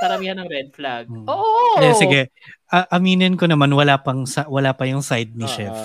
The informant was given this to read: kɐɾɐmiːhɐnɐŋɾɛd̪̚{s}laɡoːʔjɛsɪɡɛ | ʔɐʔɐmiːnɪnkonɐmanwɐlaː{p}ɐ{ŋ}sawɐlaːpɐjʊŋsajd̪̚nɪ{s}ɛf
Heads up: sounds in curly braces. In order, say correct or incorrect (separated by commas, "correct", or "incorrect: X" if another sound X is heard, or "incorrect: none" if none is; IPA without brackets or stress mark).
incorrect: f, correct, correct, incorrect: ʃ